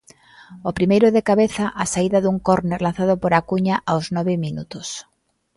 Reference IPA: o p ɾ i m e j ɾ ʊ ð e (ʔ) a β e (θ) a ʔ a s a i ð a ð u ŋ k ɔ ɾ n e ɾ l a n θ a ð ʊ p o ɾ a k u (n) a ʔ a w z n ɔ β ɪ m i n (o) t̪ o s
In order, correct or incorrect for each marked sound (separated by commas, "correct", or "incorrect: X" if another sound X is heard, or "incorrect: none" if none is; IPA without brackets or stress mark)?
incorrect: k, correct, incorrect: ɲ, incorrect: u